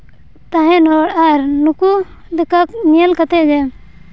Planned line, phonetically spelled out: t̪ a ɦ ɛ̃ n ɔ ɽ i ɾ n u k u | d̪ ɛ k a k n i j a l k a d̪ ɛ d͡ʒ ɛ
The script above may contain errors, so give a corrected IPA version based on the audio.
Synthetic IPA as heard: t̪ a ɦ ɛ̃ n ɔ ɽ a ɾ n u k u | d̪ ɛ k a k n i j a l k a t̪ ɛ d͡ʒ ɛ